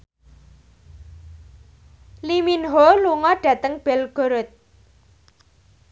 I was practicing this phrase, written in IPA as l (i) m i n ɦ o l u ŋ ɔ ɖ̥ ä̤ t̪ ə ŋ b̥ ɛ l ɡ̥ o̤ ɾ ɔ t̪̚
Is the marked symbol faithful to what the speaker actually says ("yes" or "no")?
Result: yes